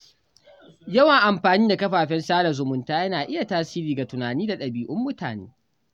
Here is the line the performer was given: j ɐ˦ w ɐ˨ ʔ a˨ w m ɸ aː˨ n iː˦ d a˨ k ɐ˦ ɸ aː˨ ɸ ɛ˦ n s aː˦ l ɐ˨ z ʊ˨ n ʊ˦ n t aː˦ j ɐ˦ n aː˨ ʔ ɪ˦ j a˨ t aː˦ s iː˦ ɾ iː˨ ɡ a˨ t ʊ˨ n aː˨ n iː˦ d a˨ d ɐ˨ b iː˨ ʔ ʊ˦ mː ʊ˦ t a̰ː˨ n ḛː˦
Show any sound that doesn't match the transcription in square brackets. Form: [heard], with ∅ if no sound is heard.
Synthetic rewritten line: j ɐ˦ w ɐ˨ ʔ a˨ [∅] m ɸ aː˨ n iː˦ d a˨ k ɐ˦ ɸ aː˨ ɸ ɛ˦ n s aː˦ l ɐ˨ z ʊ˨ [m] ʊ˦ n t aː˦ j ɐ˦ n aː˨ ʔ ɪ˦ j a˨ t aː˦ s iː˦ ɾ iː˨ ɡ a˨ t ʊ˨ n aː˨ n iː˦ d a˨ [ɗ] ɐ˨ b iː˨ ʔ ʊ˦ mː ʊ˦ t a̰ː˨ n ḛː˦